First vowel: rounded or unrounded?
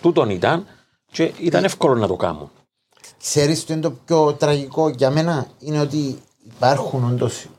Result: rounded